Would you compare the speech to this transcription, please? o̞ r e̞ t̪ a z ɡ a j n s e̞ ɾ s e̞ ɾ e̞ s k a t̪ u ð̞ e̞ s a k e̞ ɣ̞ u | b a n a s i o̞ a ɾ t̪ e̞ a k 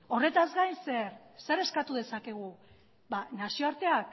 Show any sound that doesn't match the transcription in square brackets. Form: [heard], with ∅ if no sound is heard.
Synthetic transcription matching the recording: o̞ r e̞ t̪ a z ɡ a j n s e̞ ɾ s e̞ ɾ e̞ s k a t̪ u ð̞ e̞ s a k e̞ ɣ̞ u | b a n a s i o̞ a ɾ t̪ e̞ a k